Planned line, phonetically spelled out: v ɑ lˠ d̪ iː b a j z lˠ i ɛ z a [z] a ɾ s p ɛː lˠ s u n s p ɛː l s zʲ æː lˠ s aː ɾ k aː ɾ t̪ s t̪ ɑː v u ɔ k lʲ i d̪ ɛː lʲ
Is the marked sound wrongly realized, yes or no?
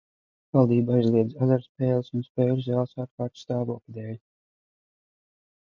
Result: no